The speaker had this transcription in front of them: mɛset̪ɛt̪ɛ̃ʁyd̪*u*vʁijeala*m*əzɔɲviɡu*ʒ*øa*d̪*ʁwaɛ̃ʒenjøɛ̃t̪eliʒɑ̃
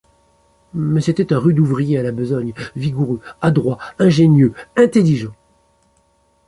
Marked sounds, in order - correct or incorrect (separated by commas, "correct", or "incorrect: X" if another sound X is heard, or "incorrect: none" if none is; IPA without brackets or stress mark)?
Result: correct, incorrect: b, incorrect: ʁ, correct